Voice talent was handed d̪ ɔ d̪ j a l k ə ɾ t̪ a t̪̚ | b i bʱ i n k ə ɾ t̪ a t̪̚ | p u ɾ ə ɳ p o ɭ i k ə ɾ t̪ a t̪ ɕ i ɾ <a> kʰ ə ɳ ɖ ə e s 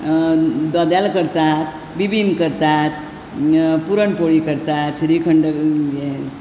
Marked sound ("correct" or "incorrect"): incorrect